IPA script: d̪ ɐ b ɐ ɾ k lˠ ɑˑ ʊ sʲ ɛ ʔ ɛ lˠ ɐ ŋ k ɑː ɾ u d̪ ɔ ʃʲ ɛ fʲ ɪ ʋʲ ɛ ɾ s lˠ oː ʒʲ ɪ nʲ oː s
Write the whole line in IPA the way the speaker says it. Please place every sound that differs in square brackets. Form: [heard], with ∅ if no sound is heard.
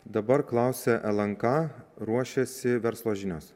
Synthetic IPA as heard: d̪ ɐ b ɐ ɾ k lˠ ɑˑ ʊ sʲ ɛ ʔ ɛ lˠ ɐ ŋ k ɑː ɾ u [∅] ɔ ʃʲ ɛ [sʲ] ɪ ʋʲ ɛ ɾ s lˠ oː ʒʲ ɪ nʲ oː s